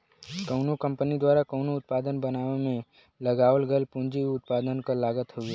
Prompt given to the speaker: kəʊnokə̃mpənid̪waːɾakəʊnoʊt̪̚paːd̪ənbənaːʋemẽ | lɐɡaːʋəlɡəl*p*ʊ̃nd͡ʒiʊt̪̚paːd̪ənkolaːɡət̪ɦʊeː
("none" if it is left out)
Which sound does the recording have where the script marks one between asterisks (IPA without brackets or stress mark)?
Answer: p